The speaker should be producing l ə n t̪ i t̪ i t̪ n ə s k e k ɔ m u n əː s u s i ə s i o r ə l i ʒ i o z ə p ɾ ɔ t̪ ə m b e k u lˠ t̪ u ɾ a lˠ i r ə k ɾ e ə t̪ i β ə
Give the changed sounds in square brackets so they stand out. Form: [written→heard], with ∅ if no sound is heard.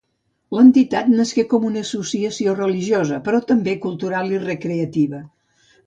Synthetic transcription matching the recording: l ə n t̪ i t̪ [i→a] t̪ n ə s k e k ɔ m u n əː s u s i ə s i o r ə l i ʒ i o z ə p ɾ ɔ t̪ ə m b e k u lˠ t̪ u ɾ a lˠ i r ə k ɾ e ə t̪ i β ə